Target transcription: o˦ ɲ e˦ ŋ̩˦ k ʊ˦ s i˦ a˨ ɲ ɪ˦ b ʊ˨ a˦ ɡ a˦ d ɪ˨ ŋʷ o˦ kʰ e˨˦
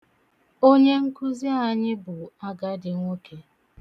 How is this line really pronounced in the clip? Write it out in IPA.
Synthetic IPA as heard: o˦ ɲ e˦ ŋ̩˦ k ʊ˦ z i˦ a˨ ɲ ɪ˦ b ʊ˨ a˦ ɡ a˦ d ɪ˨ ŋʷ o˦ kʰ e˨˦